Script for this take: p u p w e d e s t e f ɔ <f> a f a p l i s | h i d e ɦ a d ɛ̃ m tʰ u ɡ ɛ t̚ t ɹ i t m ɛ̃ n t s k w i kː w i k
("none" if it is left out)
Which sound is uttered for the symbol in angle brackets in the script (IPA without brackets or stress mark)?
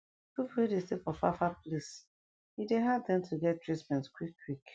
f